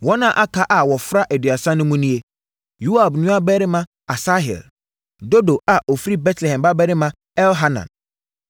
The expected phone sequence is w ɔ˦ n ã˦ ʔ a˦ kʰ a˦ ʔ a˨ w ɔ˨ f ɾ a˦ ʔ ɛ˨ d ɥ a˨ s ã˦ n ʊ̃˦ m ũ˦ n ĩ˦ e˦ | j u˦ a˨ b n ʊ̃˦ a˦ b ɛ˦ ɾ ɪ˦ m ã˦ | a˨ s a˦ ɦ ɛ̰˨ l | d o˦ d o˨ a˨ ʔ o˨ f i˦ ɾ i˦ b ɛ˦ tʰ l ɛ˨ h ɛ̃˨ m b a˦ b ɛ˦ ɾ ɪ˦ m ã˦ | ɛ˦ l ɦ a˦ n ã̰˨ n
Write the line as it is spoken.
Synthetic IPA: w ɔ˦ n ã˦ ʔ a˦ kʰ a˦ ʔ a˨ w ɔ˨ f ɾ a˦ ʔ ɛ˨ d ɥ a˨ s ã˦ n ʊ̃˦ m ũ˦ n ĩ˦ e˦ | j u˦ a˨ b n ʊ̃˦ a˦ b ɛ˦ ɾ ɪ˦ m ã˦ | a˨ s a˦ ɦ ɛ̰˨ l | d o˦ d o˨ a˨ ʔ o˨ f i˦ ɾ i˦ b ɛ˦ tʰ l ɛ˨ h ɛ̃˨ m b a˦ b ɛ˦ ɾ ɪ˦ m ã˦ | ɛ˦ l ɦ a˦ n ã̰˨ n